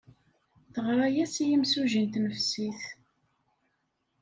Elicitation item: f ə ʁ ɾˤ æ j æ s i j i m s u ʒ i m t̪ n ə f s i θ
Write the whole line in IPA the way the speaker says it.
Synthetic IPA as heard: θ ə ʁ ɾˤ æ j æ s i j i m s u ʒ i n t̪ n ə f s i θ